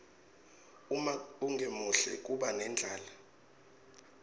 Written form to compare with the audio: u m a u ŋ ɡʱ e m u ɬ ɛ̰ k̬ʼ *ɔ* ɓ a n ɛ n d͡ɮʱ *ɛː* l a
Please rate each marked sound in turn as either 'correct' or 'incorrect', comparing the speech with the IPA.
incorrect, incorrect

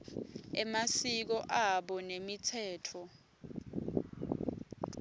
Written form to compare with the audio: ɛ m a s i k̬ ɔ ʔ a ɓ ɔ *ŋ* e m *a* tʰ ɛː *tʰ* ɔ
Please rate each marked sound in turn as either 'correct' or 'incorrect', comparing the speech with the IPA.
incorrect, incorrect, correct

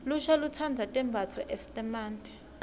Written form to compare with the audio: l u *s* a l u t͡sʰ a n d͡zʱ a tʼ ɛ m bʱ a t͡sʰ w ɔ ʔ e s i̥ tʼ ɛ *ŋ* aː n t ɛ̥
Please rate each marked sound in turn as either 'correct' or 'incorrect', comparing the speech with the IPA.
incorrect, incorrect

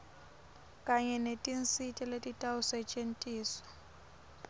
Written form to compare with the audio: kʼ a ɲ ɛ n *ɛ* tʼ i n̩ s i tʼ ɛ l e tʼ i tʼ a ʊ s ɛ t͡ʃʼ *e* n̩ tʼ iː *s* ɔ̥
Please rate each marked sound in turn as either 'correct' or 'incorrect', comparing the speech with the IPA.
incorrect, correct, correct

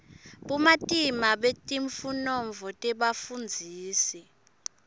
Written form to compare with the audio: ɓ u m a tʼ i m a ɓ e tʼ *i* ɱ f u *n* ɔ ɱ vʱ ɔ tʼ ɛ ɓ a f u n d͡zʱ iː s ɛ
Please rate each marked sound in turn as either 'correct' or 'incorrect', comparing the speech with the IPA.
correct, correct

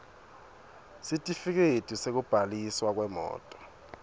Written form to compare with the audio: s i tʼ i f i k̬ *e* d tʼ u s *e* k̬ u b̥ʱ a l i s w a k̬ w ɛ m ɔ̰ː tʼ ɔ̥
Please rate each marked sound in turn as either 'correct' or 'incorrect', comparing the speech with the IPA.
correct, correct

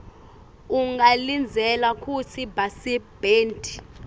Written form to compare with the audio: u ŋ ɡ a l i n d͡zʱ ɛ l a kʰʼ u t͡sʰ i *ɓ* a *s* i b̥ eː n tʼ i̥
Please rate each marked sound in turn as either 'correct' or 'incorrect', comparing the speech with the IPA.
incorrect, correct

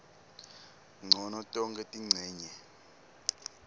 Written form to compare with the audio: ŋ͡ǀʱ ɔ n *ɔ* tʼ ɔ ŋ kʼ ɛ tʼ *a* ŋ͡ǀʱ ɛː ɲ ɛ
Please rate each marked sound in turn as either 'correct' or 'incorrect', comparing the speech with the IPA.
correct, incorrect

